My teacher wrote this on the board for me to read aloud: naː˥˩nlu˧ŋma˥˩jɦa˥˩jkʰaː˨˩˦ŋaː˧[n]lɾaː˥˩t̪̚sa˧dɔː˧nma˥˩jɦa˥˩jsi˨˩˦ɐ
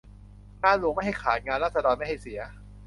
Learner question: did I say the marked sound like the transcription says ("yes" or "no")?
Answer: yes